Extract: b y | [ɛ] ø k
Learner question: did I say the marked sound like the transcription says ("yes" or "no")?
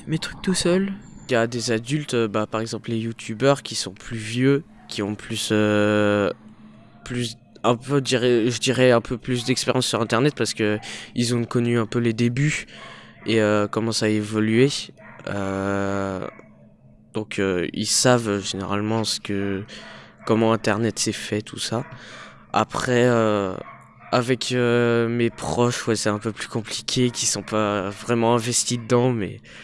no